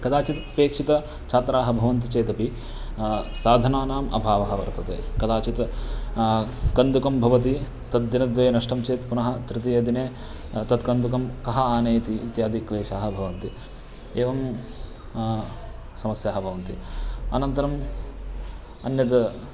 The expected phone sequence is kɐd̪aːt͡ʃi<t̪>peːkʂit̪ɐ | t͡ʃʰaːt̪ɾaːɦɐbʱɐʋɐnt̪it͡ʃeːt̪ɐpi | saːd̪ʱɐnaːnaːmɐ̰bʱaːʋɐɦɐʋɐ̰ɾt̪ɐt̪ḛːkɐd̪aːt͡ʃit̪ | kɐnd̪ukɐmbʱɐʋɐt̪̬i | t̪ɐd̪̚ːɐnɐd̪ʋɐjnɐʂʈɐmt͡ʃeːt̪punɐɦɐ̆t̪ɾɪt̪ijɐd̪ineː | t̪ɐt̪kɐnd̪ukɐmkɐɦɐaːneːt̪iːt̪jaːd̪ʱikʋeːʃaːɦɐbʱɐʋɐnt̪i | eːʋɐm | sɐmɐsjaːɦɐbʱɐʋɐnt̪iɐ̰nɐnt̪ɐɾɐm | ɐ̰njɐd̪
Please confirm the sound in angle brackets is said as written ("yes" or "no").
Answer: yes